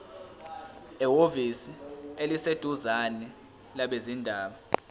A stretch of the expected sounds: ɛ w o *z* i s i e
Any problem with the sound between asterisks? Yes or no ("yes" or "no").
yes